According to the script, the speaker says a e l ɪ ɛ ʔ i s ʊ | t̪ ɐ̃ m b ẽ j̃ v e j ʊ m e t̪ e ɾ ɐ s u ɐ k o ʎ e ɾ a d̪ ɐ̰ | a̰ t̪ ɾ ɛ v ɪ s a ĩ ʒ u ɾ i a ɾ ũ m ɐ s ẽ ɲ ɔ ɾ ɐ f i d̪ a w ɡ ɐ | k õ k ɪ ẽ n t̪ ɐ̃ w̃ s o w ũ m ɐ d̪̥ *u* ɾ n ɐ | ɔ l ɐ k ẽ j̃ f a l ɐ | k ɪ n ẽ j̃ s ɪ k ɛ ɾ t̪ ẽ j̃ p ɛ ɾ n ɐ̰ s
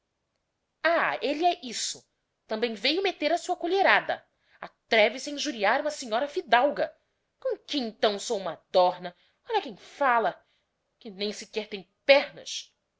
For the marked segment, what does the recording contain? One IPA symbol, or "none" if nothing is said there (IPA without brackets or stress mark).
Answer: ɔ